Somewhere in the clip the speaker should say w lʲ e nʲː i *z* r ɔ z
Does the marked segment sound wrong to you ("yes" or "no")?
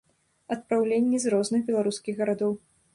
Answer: no